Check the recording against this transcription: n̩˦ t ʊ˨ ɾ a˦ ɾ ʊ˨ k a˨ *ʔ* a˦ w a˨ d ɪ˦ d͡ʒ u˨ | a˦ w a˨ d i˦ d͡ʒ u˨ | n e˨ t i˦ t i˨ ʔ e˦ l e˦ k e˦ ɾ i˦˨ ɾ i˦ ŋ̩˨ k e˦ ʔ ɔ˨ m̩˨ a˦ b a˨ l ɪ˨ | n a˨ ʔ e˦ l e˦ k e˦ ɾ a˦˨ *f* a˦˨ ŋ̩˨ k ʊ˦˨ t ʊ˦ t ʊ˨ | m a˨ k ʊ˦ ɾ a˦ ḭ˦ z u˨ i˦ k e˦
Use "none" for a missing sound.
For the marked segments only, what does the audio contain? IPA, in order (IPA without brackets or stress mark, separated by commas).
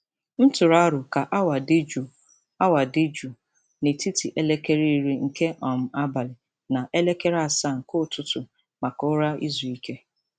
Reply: ʔ, s